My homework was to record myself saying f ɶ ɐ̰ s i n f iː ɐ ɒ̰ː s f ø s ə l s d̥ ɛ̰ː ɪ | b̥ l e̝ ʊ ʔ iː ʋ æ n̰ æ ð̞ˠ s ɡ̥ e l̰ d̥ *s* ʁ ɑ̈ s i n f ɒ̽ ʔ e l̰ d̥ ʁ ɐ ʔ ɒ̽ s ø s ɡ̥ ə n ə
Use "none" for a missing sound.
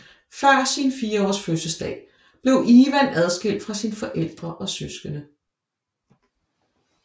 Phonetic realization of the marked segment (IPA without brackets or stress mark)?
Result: f